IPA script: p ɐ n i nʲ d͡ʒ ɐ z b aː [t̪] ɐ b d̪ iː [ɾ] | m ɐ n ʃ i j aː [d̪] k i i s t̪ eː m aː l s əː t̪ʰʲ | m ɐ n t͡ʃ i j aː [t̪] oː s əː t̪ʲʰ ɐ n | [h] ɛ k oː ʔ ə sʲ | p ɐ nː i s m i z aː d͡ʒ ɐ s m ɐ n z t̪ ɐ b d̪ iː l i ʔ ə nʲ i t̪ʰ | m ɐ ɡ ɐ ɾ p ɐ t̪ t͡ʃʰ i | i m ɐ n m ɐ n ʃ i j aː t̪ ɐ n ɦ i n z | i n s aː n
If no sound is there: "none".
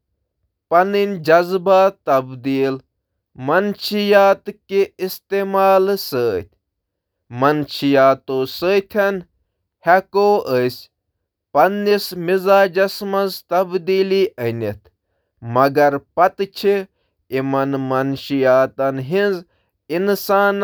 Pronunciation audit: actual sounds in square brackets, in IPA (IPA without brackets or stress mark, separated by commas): t̪, l, t̪, t̪, h